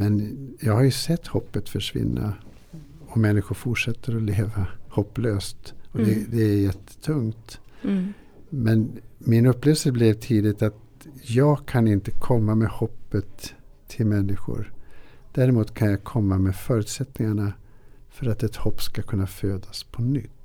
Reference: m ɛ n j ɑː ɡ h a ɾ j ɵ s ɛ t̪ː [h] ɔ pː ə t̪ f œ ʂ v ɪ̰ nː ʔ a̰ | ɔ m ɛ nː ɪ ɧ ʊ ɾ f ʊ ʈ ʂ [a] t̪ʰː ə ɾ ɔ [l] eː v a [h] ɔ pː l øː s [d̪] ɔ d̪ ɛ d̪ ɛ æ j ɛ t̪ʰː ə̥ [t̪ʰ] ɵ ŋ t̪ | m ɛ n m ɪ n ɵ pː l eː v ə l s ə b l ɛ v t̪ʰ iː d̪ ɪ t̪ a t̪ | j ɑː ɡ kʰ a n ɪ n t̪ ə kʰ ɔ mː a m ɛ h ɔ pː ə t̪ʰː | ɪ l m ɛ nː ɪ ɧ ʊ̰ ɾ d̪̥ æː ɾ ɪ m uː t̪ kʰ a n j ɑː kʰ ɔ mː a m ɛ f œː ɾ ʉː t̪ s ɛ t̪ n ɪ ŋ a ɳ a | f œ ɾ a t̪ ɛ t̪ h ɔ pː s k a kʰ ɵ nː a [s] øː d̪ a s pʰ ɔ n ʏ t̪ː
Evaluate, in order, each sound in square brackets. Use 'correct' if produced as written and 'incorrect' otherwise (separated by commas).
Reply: correct, incorrect, correct, correct, incorrect, correct, incorrect